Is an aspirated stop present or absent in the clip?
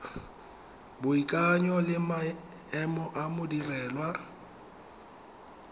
absent